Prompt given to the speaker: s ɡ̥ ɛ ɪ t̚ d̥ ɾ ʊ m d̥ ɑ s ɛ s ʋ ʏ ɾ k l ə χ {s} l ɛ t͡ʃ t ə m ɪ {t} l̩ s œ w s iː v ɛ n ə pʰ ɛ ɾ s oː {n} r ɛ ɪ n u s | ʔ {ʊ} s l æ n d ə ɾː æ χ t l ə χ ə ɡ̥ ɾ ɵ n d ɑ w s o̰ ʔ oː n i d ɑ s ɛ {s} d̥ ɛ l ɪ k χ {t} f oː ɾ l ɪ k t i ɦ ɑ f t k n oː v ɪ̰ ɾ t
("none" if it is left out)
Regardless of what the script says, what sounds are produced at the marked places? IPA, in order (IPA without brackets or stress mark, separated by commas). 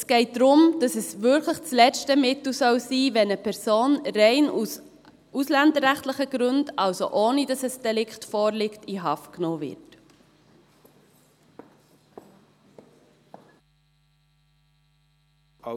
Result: t͡s, t, n, u, s, t